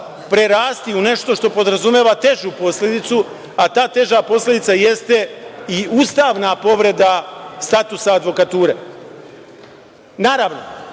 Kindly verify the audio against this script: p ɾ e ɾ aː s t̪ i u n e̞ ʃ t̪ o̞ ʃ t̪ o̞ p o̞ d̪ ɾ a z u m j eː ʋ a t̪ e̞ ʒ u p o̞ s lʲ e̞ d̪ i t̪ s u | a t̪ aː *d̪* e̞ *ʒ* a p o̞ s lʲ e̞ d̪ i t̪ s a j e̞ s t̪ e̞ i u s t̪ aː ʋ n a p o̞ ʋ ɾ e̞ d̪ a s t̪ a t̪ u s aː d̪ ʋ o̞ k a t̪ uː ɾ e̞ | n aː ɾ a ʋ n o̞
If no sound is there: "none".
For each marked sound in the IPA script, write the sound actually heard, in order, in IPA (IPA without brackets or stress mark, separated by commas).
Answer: t̪, ʒ